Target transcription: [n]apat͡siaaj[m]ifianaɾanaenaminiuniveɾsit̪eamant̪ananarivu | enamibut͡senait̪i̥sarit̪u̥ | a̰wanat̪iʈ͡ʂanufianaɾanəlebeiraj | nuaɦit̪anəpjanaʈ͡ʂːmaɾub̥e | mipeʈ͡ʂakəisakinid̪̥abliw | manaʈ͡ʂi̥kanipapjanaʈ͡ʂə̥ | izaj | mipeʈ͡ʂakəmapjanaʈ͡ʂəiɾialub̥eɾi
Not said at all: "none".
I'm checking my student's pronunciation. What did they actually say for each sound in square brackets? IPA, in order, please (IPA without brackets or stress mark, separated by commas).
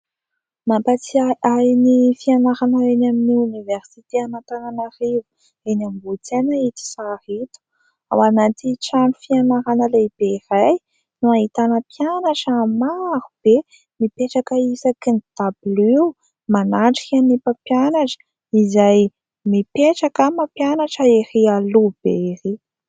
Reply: m, n